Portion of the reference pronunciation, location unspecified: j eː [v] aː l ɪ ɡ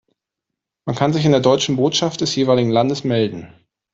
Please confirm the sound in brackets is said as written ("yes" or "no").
yes